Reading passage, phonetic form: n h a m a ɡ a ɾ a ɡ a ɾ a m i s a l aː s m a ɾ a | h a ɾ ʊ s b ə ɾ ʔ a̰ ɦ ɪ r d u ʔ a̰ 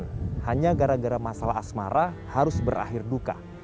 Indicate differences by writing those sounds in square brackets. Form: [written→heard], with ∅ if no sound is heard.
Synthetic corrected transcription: n h a [m→ɲ] a ɡ a ɾ a ɡ a ɾ a m [i→a] s a l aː s m a ɾ a | h a ɾ ʊ s b ə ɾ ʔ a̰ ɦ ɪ r d u [ʔ→k] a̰